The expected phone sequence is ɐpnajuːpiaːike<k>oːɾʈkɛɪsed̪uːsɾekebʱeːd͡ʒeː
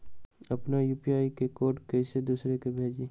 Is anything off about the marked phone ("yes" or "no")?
no